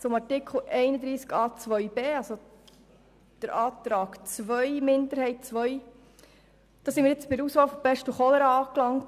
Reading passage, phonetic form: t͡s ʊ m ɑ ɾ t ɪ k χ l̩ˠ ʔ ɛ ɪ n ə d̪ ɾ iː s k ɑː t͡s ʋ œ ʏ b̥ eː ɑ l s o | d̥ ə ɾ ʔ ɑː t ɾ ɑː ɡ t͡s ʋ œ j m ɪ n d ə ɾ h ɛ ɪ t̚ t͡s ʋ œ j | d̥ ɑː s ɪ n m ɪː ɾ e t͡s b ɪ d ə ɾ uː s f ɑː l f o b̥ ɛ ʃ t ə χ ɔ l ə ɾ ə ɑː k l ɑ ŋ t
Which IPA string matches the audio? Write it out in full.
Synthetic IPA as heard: t͡s ʊ m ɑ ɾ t ɪ k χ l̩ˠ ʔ ɛ ɪ n ə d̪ ɾ iː s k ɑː t͡s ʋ œ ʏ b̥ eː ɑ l s o | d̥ ə ɾ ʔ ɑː t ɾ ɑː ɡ t͡s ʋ œ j m ɪ n d ə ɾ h ɛ ɪ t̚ t͡s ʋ œ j | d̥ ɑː s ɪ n m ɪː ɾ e t͡s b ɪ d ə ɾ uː s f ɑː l f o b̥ ɛ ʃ t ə χ ɔ l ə ɾ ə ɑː k l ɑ ŋ t